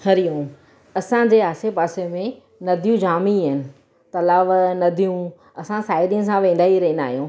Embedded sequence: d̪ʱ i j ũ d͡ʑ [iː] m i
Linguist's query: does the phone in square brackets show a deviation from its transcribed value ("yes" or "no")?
yes